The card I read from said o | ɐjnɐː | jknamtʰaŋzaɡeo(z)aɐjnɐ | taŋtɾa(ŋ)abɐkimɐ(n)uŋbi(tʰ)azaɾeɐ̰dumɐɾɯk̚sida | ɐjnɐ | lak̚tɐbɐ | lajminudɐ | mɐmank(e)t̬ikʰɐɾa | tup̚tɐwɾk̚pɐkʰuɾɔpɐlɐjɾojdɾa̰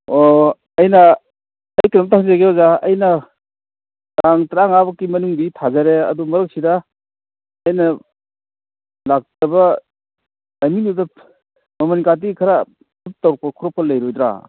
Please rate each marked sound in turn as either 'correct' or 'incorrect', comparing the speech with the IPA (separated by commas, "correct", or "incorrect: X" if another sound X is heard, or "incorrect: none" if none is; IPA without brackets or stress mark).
correct, correct, correct, correct, incorrect: a